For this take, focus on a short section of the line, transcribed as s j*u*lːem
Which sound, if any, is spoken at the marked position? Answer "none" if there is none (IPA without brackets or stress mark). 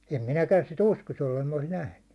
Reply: o